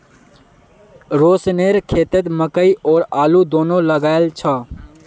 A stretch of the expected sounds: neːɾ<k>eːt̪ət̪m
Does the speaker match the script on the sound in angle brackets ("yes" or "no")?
no